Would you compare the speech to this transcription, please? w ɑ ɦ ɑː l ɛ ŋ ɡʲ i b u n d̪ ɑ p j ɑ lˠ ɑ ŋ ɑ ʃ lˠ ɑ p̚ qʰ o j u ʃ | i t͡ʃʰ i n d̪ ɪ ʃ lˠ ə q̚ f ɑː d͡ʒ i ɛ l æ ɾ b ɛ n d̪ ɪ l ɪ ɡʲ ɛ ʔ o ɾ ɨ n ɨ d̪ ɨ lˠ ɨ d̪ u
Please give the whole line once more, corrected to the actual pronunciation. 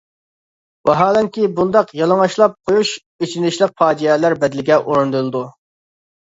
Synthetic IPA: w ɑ ɦ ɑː l ɛ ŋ kʲ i b u n d̪ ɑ q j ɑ lˠ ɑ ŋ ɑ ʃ lˠ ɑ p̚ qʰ o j u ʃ | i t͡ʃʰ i n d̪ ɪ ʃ lˠ ə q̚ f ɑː d͡ʒ i ɛ l æ ɾ b ɛ d̪ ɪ l ɪ ɡʲ ɛ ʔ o ɾ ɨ n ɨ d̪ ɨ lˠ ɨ d̪ u